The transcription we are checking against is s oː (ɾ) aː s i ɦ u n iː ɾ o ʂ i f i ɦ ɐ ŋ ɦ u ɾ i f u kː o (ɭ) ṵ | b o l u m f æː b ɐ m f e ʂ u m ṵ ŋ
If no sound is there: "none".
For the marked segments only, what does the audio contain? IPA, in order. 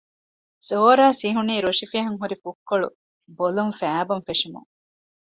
ɾ, ɭ

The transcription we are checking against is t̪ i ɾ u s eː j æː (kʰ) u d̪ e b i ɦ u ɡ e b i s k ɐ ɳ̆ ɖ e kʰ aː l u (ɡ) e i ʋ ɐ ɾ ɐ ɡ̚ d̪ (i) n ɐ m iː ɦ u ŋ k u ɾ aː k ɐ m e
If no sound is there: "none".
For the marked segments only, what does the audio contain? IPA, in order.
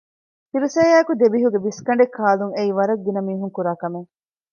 k, ŋ, i

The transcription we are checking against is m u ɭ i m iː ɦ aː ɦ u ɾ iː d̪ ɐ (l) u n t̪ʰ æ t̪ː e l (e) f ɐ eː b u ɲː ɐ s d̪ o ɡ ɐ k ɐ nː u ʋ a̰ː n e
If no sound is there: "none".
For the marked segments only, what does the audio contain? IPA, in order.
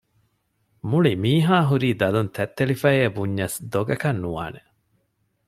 l, i

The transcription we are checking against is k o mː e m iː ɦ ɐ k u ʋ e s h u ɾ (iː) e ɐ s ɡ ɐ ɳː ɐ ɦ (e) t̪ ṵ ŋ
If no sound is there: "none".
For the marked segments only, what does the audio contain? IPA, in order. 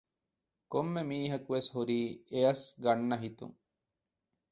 iː, i

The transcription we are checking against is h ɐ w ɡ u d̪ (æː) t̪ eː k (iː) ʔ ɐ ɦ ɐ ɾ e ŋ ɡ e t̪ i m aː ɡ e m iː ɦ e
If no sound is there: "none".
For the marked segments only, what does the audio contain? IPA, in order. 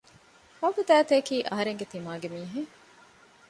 æː, iː

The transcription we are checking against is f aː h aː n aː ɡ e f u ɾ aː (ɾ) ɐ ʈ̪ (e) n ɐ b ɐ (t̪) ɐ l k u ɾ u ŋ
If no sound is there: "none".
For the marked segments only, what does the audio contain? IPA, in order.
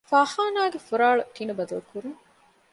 ɭ, i, d̪

